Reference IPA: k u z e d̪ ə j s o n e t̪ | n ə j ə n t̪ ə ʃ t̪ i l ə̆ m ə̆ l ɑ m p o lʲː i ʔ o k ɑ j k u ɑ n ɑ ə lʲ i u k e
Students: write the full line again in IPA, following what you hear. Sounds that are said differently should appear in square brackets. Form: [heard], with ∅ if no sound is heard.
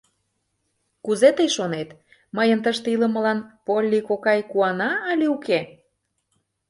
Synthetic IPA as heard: k u z e [t̪] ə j [ʃ] o n e t̪ | [m] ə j ə n t̪ ə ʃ t̪ i l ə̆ m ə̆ l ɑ [n] p o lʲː i [k] o k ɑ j k u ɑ n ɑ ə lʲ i u k e